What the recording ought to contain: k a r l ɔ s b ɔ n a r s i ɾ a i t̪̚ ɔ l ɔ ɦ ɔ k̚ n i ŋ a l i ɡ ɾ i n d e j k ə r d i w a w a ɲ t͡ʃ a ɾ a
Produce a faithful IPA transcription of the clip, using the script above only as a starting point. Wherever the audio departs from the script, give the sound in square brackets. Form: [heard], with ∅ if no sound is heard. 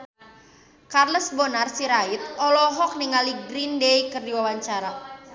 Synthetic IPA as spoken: k a r l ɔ s b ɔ n a r s i ɾ a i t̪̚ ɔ l ɔ ɦ ɔ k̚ n i ŋ a l i ɡ ɾ i n d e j k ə r d i w a w a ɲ t͡ʃ a ɾ a